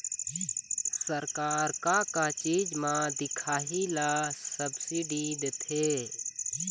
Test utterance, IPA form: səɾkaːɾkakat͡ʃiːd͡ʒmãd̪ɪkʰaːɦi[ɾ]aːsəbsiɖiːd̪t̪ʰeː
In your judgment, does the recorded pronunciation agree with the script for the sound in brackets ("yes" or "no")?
no